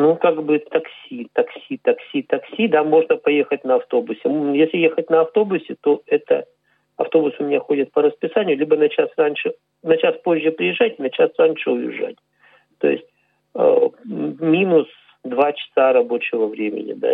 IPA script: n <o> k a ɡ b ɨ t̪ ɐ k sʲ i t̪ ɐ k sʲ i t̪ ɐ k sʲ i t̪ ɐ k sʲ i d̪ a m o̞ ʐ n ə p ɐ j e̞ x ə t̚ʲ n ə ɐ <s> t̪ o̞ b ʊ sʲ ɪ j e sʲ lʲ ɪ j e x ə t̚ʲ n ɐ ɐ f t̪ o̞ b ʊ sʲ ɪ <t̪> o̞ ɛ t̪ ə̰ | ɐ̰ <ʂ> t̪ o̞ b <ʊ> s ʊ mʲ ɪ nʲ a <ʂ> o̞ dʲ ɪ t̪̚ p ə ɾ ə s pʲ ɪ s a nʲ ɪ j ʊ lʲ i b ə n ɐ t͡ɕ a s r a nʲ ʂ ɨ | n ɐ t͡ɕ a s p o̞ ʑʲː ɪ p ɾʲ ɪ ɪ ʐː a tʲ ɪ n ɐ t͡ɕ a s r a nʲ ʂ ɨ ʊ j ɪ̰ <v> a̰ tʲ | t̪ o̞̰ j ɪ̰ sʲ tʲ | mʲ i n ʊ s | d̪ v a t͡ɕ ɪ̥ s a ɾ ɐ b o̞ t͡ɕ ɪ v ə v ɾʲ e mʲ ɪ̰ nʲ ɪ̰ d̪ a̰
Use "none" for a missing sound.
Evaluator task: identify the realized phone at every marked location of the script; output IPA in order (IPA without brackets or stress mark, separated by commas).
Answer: u, f, t̪, f, ʊ, x, ʐ